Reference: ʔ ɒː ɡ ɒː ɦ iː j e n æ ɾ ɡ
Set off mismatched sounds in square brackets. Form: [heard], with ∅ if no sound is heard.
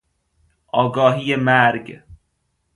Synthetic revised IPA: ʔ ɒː ɡ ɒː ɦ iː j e [m] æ ɾ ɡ